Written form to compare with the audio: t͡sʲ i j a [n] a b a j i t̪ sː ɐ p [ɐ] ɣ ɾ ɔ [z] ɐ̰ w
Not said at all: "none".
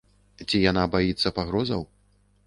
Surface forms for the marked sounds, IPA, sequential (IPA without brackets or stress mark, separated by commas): n, a, z